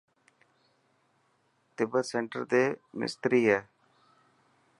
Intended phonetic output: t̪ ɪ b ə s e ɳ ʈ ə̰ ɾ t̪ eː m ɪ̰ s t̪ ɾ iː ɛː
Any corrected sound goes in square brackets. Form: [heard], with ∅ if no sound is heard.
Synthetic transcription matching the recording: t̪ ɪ b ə s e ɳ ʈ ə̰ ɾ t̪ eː m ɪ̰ s t̪ ɾ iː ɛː